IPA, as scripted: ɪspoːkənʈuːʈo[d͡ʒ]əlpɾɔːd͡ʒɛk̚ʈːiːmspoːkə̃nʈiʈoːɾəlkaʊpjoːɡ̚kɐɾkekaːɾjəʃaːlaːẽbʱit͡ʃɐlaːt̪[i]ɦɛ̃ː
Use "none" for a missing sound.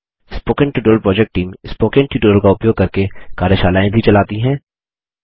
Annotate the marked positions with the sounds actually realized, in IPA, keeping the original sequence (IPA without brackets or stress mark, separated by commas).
none, i